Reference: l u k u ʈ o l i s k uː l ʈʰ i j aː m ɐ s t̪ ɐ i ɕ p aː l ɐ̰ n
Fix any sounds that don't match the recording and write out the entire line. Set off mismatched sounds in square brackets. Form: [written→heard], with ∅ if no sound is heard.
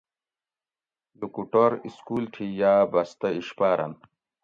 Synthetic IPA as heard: l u k u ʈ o [l→ɾ] i s k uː l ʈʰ i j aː [m→b] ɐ s t̪ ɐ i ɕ p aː [l→ɾ] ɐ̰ n